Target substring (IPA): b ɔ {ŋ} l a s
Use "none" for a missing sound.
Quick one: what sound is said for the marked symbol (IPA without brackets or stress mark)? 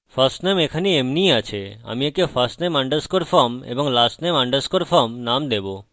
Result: ŋ